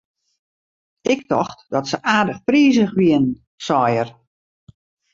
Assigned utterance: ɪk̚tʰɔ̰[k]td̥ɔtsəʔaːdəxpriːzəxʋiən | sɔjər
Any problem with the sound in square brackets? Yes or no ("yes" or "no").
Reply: yes